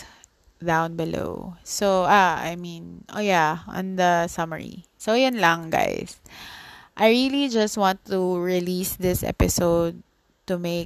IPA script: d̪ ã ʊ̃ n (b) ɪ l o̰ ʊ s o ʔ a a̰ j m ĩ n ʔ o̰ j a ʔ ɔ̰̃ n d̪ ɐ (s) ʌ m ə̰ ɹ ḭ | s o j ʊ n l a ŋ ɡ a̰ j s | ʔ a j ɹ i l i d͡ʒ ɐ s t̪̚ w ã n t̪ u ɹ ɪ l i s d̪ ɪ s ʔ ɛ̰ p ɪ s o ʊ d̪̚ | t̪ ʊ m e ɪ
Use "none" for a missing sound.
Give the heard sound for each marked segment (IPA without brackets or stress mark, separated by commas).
b, s